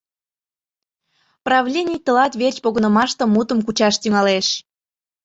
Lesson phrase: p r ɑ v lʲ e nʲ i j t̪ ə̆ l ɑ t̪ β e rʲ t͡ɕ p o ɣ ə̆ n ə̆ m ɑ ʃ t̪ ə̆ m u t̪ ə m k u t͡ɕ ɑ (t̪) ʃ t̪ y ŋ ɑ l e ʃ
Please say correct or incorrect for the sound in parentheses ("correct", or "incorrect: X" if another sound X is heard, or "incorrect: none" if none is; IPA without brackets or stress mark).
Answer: incorrect: none